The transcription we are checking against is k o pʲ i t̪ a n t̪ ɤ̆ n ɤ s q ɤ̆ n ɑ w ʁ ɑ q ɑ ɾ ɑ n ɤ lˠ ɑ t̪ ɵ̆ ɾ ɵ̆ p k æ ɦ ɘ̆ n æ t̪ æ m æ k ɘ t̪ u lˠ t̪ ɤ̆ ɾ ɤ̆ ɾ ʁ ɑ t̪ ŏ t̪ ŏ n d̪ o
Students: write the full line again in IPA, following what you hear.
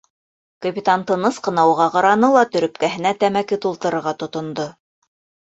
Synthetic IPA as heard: k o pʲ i t̪ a n t̪ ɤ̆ n ɤ s q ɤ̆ n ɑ w ʁ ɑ q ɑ ɾ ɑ n ɤ lˠ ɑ t̪ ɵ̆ ɾ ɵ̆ p k æ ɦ ɘ̆ n æ t̪ æ m æ k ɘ t̪ u lˠ t̪ ɤ̆ ɾ ɤ̆ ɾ ʁ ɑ t̪ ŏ t̪ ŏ n d̪ o